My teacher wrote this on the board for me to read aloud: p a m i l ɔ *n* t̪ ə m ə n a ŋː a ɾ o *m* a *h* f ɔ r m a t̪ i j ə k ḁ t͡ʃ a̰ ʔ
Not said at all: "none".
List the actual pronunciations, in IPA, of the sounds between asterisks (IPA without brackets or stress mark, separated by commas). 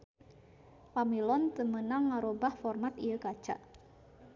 n, b, h